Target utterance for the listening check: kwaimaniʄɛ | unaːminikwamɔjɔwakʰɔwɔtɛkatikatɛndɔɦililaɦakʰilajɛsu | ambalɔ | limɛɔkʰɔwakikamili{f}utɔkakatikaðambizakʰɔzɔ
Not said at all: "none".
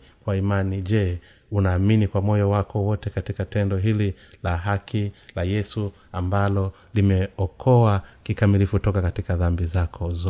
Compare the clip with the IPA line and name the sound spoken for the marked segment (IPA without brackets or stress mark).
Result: f